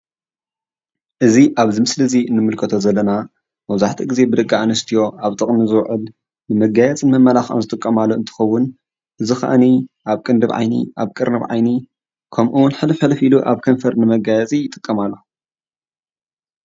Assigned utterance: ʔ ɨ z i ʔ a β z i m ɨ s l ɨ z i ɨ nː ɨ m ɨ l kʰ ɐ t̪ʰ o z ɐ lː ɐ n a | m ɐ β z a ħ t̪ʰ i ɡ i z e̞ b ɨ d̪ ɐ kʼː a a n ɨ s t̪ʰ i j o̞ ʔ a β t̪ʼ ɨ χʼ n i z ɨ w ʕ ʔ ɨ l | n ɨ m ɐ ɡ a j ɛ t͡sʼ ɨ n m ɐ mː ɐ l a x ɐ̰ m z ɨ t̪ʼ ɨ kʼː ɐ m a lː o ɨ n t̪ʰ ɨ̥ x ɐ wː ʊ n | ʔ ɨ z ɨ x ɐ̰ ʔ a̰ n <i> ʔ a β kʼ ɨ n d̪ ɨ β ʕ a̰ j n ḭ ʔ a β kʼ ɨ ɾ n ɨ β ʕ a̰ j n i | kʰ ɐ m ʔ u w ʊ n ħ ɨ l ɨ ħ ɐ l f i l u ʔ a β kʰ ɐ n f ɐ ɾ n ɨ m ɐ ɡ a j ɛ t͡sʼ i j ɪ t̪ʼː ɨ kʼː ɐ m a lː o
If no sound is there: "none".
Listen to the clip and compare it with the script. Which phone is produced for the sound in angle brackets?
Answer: i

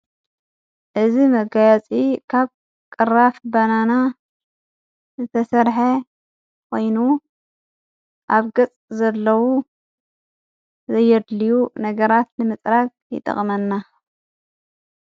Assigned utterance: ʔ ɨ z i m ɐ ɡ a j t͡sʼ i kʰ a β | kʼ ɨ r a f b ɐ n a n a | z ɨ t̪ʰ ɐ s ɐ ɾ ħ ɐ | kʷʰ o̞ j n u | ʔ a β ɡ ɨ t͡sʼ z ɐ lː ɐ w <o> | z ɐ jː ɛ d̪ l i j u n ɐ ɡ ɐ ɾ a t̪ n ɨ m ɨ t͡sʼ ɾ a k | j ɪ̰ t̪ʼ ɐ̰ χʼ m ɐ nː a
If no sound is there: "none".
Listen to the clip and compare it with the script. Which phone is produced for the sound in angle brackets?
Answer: u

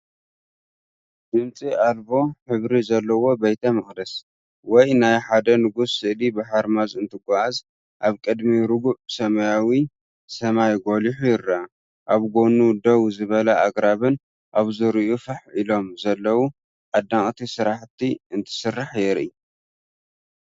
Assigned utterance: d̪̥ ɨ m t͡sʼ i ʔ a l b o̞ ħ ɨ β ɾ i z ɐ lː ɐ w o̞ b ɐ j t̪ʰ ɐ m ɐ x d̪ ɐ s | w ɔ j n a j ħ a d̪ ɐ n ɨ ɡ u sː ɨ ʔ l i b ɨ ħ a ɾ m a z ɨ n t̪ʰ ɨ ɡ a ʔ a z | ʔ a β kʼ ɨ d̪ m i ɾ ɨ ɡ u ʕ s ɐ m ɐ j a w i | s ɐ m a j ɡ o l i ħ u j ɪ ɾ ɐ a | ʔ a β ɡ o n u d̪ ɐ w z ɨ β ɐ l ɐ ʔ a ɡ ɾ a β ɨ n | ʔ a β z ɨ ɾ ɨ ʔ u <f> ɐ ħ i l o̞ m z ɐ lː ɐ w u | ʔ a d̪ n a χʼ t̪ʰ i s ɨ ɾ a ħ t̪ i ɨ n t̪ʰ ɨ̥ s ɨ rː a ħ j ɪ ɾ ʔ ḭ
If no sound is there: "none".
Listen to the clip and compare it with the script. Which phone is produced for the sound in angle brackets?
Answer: f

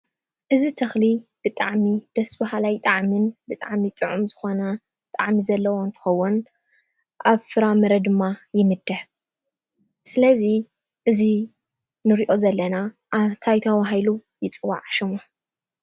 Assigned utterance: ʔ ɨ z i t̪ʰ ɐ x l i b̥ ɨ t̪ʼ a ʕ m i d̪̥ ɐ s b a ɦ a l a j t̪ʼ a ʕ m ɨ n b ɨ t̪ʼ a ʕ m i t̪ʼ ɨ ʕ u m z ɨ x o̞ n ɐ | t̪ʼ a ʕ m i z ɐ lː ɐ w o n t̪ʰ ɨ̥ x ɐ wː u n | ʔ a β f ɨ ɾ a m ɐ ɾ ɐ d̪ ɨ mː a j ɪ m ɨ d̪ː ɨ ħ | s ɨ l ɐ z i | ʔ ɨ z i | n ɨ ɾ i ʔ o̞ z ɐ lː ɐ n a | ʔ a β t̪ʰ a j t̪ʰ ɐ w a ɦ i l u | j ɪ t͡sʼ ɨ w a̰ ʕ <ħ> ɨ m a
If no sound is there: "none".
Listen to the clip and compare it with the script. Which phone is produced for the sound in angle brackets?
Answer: ʃ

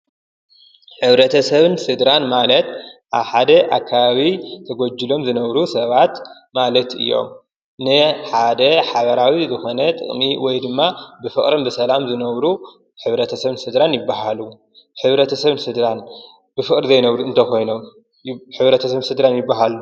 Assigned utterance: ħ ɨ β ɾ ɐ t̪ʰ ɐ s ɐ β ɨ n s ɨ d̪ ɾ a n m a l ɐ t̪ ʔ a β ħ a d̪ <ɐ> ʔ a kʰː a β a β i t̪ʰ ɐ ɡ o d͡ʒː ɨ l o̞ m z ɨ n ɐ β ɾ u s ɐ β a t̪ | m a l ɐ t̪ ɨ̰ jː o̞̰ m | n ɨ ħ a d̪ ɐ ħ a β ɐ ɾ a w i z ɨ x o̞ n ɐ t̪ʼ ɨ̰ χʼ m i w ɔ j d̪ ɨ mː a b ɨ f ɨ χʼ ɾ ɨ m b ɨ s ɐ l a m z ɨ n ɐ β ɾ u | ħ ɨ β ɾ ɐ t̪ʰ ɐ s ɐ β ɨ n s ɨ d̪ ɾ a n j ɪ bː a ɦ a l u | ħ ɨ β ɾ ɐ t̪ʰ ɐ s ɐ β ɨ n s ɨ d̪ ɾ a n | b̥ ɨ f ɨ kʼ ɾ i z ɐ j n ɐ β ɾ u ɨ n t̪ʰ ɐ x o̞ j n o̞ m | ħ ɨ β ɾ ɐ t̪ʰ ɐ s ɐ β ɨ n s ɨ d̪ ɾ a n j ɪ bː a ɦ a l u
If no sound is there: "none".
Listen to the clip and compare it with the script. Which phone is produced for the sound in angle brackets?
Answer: ɐ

